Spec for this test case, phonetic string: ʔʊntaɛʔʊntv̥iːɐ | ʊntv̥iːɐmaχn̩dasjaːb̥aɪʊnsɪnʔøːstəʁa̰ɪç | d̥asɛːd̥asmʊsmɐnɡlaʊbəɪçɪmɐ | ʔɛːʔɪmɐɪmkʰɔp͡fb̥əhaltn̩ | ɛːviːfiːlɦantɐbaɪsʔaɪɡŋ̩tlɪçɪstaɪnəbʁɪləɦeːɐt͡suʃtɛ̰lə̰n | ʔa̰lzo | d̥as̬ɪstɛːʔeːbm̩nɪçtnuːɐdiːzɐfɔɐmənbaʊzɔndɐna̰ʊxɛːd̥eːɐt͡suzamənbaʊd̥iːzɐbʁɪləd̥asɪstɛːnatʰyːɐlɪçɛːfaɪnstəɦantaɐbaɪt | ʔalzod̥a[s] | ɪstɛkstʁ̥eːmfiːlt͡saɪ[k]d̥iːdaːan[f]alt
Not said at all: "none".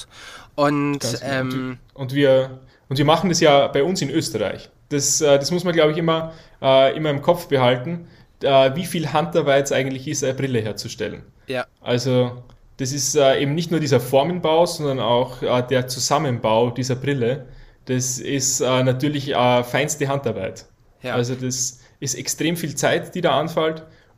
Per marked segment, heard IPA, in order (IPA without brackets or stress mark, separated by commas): s, t, f